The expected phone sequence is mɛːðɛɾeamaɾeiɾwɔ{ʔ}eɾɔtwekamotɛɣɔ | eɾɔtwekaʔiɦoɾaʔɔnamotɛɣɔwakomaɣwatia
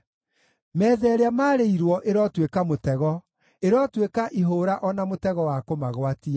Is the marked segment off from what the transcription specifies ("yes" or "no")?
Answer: no